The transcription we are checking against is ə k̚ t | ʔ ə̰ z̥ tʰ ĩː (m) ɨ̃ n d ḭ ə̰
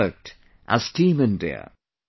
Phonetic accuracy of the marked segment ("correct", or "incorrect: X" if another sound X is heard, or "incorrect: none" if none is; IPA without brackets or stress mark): correct